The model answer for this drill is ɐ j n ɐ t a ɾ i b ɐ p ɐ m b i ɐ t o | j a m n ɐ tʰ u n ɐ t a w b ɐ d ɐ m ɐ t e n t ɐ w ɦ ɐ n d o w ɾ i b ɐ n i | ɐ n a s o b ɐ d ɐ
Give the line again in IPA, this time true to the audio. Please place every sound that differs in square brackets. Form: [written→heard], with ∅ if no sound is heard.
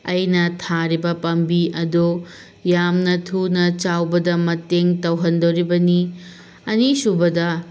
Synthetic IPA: ɐ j n ɐ [t→tʰ] a ɾ i b ɐ p ɐ m b i ɐ [t→d] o | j a m n ɐ tʰ u n ɐ [t→t͡ʃ] a w b ɐ d ɐ m ɐ t e [n→ŋ] t ɐ w ɦ ɐ n d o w ɾ i b ɐ n i | ɐ n [a→i] s [o→u] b ɐ d ɐ